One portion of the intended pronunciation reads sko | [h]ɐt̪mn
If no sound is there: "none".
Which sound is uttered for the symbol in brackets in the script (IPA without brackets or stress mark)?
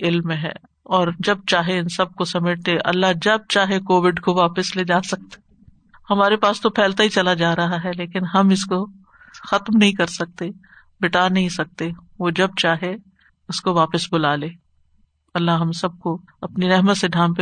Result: x